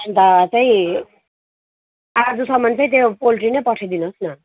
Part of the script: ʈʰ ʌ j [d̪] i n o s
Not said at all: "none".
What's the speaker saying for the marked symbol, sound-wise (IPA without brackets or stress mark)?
d̪